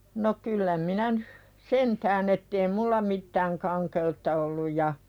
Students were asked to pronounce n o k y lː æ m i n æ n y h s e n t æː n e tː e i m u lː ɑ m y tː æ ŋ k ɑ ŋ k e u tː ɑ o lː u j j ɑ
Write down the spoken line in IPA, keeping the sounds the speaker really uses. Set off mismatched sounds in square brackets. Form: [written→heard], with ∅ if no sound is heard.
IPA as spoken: n o k y lː æ m i n æ n y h s e n t æː n e tː e i m u lː ɑ m [y→i] tː [æ→æː] ŋ k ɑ ŋ k e u tː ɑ o lː u j j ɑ